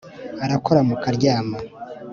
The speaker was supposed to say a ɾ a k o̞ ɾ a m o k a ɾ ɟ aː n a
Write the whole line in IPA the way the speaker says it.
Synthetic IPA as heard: a ɾ a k o̞ ɾ a m u k a ɾ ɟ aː m a